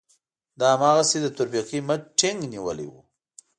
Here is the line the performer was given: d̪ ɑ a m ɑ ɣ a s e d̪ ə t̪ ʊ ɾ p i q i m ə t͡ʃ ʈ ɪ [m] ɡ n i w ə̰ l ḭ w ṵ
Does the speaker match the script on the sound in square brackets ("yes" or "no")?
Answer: no